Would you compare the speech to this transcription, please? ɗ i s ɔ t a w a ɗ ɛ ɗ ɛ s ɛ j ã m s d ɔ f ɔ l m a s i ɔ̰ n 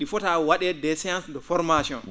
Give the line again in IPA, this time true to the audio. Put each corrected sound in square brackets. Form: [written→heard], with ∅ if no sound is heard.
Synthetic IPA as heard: ɗ i [s→f] ɔ t a w a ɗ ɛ [ɗ→d] ɛ s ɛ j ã [m→n] s d ɔ f ɔ [l→ɾ] m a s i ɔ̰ n